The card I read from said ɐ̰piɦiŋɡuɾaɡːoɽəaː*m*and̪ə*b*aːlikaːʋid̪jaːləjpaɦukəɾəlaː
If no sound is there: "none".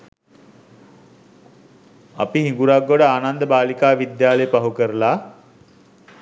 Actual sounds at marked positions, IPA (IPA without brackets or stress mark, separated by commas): n, b